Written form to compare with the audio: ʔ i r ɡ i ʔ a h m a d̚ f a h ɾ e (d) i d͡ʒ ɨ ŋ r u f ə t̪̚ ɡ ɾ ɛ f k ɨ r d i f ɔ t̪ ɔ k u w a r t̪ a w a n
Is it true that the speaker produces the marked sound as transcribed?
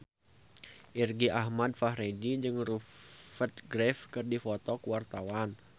yes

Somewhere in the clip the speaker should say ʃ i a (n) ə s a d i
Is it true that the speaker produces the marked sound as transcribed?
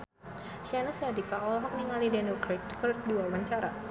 yes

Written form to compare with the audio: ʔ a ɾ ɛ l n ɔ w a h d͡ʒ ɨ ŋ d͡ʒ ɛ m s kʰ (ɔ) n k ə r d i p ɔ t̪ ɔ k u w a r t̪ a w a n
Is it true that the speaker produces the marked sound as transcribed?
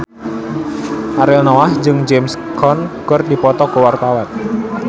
yes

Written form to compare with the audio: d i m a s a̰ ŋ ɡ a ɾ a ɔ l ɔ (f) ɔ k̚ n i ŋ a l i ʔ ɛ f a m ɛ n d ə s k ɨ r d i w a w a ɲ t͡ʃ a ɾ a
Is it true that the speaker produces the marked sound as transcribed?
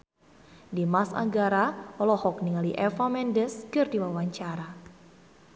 no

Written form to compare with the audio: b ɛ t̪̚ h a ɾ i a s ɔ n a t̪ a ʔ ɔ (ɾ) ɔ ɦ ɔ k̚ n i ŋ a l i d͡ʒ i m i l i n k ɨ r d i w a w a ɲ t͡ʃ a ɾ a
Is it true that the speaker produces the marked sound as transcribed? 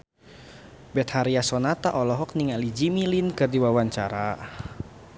no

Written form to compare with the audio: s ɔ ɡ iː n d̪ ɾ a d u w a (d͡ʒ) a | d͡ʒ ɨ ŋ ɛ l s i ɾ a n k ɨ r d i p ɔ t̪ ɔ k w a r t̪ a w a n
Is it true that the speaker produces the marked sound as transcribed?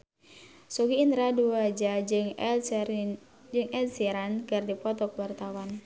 yes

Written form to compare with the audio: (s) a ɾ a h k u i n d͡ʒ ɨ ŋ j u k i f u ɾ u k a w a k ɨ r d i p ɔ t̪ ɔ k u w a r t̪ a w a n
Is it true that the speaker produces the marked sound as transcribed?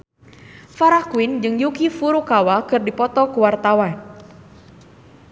no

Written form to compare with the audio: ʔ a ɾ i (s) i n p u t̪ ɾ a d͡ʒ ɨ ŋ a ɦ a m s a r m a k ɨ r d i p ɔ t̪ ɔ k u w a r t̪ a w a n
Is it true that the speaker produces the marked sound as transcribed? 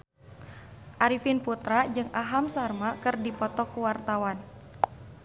no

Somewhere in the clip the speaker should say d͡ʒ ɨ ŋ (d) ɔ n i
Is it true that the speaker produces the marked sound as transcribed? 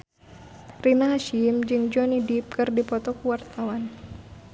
no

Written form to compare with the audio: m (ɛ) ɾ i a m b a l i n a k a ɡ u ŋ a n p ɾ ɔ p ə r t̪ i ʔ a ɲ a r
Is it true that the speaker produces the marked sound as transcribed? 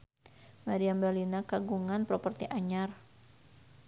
no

